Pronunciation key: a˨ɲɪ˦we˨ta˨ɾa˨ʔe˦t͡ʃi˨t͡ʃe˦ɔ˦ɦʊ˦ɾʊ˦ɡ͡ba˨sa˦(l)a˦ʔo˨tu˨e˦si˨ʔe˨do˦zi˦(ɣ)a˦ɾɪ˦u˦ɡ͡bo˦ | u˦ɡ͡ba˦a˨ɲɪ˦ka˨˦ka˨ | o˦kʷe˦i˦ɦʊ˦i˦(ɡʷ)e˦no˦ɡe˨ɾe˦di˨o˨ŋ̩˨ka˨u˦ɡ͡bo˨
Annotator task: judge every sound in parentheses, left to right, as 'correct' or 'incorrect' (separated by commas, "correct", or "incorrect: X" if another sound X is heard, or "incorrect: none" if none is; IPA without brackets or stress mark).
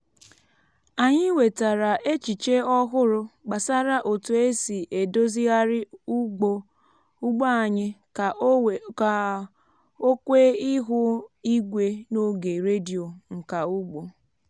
incorrect: ɾ, correct, correct